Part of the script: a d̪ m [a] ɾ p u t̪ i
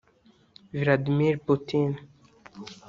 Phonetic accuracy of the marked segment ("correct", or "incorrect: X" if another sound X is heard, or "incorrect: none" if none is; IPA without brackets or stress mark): incorrect: i